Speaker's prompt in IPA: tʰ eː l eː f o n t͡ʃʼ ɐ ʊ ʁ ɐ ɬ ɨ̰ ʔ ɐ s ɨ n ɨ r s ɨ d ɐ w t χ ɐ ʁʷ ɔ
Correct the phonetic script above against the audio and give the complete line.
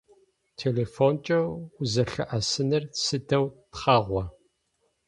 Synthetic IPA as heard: tʰ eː l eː f o n t͡ʃʼ ɐ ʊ z ɐ ɬ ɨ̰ ʔ ɐ s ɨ n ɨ r s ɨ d ɐ w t χ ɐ ʁʷ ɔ